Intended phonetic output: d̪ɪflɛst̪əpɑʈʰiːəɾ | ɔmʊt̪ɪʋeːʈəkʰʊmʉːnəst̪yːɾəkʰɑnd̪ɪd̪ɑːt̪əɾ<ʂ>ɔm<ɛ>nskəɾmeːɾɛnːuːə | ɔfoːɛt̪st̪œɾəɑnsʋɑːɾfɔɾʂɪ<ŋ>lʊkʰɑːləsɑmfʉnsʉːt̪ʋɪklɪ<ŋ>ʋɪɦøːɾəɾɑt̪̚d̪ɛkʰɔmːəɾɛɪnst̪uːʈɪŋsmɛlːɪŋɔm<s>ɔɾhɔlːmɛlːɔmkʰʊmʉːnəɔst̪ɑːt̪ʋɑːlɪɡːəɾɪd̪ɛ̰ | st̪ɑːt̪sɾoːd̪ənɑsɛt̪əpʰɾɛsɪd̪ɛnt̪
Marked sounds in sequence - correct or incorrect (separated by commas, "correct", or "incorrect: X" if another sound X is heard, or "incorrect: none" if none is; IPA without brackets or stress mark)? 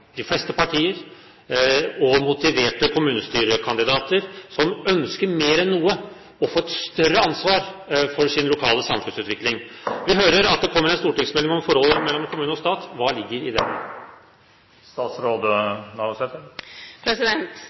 incorrect: s, incorrect: œ, incorrect: n, correct, incorrect: f